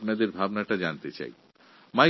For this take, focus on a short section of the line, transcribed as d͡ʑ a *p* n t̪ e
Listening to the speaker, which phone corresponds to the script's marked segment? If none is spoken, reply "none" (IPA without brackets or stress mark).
none